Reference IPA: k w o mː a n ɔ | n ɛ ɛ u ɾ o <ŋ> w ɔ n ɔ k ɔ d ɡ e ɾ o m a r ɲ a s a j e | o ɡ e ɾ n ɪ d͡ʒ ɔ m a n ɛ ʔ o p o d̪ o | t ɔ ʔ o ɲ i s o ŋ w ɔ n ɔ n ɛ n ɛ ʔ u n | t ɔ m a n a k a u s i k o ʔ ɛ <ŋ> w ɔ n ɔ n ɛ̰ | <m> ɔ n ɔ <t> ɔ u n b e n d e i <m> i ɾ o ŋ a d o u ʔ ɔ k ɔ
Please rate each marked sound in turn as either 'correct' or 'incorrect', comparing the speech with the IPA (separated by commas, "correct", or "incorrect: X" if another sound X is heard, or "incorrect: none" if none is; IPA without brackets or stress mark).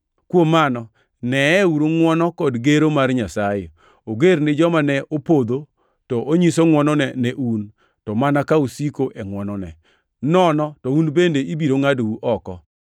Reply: correct, correct, incorrect: n, correct, incorrect: b